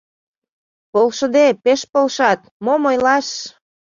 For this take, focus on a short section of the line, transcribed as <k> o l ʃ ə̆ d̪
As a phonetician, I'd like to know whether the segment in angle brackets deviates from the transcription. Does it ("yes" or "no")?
yes